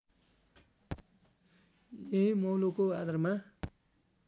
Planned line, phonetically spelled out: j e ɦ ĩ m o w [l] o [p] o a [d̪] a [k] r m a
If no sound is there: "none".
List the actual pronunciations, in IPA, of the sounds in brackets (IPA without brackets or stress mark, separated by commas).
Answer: l, k, d̪, none